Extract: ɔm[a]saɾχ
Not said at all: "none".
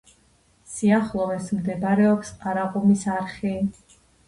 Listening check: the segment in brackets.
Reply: i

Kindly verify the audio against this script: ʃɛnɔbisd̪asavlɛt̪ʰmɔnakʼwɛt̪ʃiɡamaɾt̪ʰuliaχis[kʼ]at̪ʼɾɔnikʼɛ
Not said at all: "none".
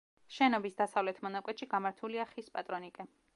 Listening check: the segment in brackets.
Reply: pʼ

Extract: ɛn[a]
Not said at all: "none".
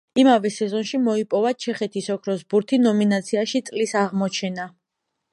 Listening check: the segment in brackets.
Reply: a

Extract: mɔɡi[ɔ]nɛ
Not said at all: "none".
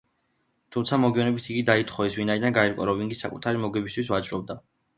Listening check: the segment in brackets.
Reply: ɔ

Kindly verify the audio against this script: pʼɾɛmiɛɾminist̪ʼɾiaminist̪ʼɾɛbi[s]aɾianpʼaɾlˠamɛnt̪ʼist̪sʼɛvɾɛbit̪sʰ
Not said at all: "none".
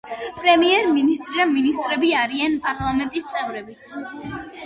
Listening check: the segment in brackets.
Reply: none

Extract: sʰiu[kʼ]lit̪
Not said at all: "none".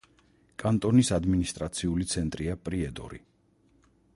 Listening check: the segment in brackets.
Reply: none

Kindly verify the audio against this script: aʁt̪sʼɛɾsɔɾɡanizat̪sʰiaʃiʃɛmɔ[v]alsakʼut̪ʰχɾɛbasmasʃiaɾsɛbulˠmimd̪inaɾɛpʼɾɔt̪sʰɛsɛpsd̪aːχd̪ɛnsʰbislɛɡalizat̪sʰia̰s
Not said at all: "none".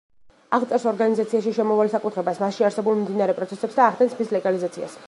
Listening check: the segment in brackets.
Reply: v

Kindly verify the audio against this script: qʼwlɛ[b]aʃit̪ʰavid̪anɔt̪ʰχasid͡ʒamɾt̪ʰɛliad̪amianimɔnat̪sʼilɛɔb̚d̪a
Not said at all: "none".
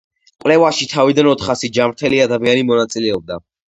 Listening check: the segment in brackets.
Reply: v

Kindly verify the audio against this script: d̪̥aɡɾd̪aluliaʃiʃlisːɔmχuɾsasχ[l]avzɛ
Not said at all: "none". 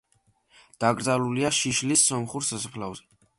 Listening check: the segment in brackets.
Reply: l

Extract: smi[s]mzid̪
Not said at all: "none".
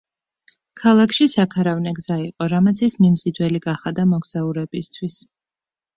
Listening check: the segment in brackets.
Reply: none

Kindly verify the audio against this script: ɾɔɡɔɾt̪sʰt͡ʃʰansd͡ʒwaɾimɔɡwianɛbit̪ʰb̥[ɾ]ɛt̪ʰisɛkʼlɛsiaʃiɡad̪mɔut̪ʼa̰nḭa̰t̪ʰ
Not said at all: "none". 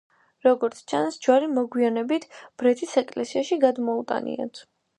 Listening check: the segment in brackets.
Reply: ɾ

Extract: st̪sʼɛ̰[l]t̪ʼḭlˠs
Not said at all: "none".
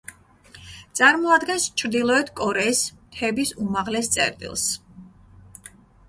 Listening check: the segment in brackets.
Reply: ɾ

